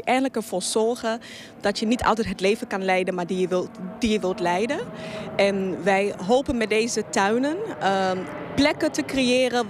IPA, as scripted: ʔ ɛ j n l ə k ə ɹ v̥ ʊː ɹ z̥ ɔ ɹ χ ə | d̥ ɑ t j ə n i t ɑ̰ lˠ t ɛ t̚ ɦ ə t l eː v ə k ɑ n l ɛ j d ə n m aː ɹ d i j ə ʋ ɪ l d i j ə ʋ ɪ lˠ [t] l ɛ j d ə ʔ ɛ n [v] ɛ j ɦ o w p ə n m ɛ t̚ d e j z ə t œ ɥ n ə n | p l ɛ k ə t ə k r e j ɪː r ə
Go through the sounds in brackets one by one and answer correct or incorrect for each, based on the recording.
correct, incorrect: ʋ

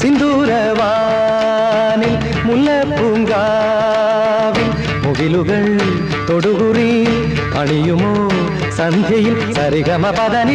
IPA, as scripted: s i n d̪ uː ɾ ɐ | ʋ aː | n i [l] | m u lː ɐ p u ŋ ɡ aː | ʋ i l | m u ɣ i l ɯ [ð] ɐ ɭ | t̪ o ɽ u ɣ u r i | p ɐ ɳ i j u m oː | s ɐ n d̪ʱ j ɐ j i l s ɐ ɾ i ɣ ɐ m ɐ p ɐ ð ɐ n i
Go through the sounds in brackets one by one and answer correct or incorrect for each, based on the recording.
correct, incorrect: ɣ

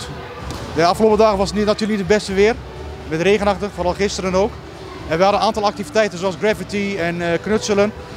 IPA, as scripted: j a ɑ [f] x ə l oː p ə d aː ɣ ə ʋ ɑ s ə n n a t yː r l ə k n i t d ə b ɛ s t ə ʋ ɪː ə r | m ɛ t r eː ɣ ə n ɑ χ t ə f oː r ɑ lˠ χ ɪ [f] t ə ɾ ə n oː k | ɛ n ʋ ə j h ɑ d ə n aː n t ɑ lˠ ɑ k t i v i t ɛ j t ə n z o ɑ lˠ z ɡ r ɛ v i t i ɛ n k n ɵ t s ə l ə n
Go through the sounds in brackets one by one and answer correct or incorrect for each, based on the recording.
correct, incorrect: s

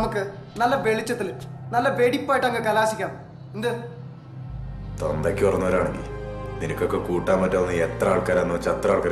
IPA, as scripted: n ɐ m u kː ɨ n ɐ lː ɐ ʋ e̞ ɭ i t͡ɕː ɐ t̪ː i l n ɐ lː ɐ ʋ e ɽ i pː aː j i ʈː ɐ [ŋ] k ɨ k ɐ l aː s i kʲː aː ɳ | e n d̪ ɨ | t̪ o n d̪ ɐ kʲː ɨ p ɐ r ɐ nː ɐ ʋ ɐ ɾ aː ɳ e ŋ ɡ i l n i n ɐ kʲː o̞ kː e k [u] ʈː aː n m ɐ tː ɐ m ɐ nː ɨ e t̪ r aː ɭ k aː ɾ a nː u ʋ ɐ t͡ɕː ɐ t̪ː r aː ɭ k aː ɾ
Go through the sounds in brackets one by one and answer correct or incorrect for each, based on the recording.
correct, incorrect: uː

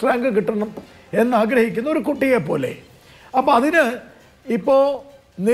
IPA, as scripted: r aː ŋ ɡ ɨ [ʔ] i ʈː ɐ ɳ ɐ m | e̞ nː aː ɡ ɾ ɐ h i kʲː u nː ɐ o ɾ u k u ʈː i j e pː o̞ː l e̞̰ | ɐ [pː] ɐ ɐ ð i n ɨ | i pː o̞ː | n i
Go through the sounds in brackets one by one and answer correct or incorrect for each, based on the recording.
incorrect: k, correct

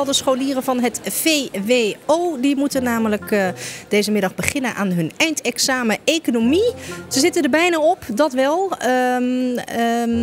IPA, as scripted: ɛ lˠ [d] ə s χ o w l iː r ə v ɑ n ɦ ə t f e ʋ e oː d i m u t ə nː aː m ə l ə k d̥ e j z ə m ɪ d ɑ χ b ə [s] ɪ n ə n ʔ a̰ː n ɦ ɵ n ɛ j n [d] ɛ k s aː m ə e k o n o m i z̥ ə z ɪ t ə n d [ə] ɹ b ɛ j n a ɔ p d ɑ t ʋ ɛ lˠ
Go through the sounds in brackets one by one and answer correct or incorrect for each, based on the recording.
correct, incorrect: χ, incorrect: t, correct

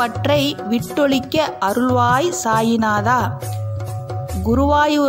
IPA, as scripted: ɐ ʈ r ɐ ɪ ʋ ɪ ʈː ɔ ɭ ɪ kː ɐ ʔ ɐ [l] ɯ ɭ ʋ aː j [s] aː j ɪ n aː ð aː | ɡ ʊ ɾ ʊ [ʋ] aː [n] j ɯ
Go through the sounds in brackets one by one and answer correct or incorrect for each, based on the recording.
incorrect: ɾ, correct, correct, incorrect: none

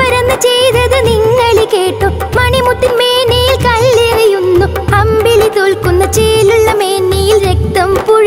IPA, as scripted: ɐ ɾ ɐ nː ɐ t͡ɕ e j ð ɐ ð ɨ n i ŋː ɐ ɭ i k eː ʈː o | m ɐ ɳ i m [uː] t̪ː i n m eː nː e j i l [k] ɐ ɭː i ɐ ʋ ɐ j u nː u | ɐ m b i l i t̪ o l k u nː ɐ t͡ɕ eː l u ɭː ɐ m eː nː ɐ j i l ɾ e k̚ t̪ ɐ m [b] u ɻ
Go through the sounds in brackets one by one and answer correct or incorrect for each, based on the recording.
incorrect: u, correct, incorrect: p

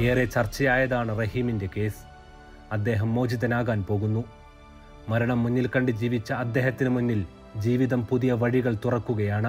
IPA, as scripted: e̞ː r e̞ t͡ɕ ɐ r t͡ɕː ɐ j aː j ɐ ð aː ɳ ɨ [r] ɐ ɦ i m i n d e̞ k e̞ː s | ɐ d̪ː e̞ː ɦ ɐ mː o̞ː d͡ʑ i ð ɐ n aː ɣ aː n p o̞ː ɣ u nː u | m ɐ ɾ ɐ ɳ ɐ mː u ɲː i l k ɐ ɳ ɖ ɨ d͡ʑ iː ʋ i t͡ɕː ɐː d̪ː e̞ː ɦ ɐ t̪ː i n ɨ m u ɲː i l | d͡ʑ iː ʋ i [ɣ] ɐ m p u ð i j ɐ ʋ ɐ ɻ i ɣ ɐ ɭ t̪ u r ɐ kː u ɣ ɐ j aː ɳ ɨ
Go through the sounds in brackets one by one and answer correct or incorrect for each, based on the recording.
correct, incorrect: ð

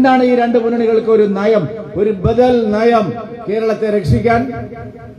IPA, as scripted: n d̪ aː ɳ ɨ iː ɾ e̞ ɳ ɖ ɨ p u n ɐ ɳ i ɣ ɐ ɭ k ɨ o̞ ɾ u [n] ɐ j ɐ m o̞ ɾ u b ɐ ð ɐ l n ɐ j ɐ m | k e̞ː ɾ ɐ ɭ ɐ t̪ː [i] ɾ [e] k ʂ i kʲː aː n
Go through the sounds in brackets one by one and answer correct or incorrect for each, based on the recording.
correct, incorrect: e, correct

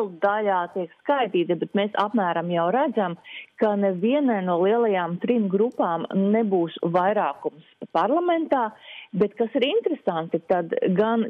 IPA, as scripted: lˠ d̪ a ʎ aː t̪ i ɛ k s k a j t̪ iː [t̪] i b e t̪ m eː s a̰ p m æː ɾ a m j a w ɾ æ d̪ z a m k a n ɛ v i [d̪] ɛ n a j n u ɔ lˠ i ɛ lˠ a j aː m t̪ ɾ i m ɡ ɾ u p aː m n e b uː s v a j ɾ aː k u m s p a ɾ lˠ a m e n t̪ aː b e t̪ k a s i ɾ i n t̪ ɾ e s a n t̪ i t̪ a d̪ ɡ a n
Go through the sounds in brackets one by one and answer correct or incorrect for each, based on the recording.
correct, incorrect: none

